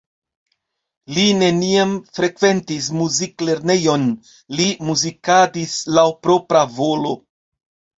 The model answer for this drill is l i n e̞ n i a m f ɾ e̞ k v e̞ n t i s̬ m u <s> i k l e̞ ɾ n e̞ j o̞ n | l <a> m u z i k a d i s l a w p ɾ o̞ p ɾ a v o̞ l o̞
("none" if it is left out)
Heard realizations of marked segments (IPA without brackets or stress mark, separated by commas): z, i